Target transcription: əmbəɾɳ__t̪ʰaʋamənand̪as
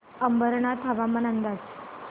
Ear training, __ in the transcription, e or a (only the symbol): a